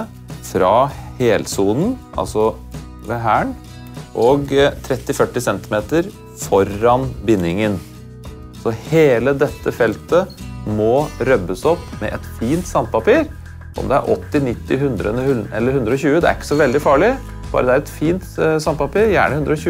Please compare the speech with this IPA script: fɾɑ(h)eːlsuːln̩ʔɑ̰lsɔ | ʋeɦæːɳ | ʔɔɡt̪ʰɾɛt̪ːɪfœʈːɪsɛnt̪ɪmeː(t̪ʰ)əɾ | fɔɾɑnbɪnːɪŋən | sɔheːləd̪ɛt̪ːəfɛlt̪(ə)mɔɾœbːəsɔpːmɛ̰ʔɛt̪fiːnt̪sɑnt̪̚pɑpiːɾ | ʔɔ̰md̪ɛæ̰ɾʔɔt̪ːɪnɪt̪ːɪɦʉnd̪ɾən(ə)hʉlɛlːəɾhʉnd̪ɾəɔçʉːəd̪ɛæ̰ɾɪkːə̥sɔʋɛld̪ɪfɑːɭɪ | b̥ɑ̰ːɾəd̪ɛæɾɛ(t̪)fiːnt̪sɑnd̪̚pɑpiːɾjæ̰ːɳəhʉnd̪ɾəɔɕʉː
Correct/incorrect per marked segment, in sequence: correct, incorrect, correct, correct, correct

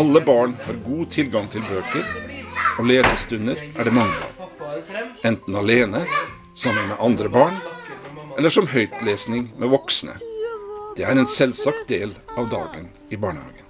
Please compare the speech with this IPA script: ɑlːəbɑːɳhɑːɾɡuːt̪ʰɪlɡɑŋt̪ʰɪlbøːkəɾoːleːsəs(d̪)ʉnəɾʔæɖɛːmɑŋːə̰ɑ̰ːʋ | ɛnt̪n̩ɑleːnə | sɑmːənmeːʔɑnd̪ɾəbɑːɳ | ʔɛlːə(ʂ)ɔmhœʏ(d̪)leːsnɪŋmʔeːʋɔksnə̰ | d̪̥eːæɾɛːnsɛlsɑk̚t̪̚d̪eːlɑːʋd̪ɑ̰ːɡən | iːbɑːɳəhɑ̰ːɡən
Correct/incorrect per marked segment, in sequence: incorrect, correct, incorrect

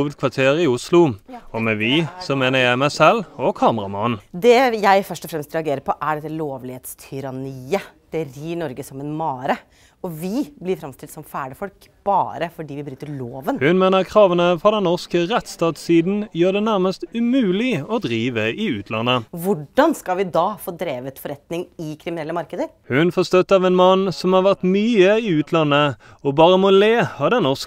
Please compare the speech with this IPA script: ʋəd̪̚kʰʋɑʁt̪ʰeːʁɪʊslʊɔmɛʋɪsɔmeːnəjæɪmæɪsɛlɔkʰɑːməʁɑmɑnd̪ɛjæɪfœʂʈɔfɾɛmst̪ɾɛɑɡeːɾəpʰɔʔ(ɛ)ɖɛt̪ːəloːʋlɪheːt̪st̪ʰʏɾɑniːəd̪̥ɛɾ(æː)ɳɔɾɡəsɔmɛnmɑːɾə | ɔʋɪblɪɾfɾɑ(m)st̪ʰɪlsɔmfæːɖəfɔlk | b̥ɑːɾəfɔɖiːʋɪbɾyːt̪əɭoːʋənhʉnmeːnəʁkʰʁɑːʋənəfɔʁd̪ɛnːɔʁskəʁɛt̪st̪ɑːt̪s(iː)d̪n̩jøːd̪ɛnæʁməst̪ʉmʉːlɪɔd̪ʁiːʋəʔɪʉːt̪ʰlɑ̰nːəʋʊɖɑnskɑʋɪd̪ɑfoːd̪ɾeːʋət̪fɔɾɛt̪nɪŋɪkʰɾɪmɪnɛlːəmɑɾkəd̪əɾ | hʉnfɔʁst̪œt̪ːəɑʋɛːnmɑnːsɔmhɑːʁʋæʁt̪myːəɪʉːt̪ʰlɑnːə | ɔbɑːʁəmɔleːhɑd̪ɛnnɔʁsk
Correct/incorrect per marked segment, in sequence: incorrect, incorrect, correct, correct

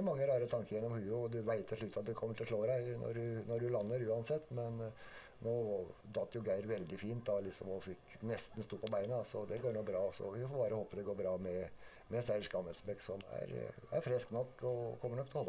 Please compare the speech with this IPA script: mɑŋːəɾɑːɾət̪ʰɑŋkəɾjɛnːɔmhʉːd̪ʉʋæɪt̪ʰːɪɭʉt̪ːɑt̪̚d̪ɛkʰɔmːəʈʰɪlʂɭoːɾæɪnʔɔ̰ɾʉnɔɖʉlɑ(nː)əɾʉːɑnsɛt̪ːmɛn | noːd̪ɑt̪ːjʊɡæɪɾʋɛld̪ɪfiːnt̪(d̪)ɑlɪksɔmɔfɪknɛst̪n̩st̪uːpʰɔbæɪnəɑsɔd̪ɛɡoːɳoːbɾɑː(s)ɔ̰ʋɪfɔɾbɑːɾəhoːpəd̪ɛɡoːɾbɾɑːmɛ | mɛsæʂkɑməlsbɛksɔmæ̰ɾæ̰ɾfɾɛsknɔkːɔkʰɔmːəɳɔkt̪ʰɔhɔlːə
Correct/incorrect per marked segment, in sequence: correct, correct, correct

